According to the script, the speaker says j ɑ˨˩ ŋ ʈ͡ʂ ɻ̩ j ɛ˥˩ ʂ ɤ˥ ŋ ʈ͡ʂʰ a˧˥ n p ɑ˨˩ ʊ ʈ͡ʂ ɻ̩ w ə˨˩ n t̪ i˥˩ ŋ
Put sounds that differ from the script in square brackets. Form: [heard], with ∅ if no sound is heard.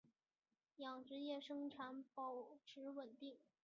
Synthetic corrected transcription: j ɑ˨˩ ŋ ʈ͡ʂ ɻ̩ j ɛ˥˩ ʂ ɤ˥ ŋ ʈ͡ʂʰ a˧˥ n p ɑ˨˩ ʊ [ʈ͡ʂʰ] ɻ̩ w ə˨˩ n t̪ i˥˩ ŋ